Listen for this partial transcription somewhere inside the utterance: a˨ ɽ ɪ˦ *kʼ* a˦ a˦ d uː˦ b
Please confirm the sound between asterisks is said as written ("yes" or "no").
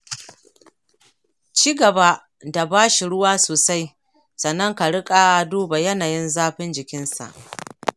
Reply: yes